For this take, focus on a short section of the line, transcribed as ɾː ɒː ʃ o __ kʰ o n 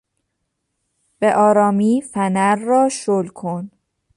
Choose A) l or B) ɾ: A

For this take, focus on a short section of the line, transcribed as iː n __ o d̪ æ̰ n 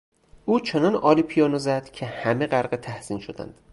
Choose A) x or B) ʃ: B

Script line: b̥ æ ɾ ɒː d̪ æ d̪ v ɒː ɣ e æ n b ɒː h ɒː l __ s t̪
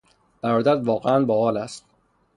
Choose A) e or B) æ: B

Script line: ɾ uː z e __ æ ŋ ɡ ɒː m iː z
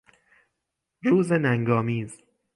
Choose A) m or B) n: B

